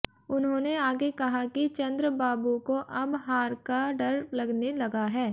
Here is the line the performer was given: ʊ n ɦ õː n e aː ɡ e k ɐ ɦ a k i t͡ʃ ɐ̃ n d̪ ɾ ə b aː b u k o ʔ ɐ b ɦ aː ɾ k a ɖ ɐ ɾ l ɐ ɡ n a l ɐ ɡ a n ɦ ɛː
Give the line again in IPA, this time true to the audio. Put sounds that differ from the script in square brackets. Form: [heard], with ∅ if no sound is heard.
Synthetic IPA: ʊ n ɦ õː n e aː ɡ e k ɐ ɦ a k i t͡ʃ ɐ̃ n d̪ ɾ ə b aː b u k o ʔ ɐ b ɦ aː ɾ k a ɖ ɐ ɾ l ɐ ɡ n [e] l ɐ ɡ a [∅] ɦ ɛː